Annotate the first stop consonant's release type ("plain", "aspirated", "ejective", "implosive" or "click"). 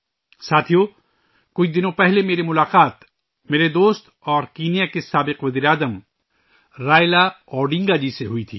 aspirated